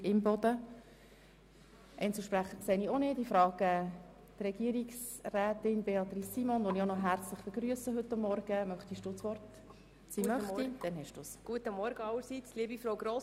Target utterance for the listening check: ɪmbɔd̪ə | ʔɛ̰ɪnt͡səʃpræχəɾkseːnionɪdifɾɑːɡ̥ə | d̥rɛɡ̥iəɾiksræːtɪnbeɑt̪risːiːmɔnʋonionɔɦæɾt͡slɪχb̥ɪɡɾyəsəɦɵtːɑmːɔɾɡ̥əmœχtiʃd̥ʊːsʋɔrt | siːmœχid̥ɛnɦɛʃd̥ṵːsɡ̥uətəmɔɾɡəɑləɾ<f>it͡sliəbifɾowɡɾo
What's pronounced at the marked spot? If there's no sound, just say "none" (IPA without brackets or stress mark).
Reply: s